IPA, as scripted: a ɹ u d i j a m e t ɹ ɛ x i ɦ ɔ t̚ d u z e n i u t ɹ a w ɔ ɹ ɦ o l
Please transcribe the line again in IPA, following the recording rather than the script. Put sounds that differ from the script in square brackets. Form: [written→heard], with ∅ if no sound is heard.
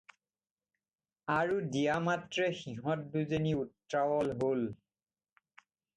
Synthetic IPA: a ɹ u d i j a m [e→a] t ɹ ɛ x i ɦ ɔ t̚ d u z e n i u t ɹ a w ɔ [ɹ→l] ɦ o l